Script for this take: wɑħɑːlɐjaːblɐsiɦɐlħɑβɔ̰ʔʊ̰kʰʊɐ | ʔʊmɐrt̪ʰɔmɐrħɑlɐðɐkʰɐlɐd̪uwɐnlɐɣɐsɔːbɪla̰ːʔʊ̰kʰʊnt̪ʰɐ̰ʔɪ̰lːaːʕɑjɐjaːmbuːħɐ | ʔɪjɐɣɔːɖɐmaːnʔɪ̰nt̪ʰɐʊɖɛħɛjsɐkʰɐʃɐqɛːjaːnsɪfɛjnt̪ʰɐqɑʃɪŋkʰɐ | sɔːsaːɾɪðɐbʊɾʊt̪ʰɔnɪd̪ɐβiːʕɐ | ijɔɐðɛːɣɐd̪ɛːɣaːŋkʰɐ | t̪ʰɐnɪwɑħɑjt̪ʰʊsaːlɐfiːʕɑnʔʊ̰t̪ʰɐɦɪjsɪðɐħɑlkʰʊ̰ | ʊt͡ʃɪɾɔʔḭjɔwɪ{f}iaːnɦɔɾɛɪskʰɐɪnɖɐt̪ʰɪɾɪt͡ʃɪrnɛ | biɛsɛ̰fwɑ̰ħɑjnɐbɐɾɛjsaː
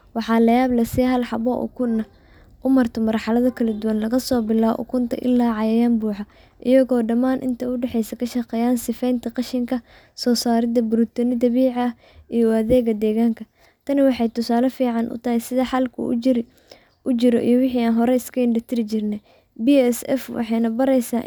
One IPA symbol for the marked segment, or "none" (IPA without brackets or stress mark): ħ